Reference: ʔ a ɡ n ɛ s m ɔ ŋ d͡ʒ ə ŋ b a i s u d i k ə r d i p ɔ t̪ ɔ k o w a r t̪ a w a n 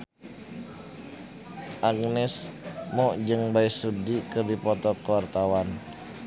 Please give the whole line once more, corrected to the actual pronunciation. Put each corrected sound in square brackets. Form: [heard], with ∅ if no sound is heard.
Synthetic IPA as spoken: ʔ a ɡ n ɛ s m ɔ [∅] d͡ʒ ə ŋ b a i s u d i k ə r d i p ɔ t̪ ɔ k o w a r t̪ a w a n